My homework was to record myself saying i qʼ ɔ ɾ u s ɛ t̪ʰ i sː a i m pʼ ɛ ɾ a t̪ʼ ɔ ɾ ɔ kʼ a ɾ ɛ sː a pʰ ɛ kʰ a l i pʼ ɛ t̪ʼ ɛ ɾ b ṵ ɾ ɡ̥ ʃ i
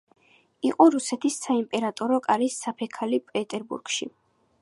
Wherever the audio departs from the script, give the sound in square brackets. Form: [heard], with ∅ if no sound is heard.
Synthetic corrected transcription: i qʼ ɔ ɾ u s ɛ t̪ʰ i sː a i m pʼ ɛ ɾ a t̪ʼ ɔ ɾ ɔ kʼ a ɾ [i] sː a pʰ ɛ kʰ a l i pʼ ɛ t̪ʼ ɛ ɾ b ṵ ɾ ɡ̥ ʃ i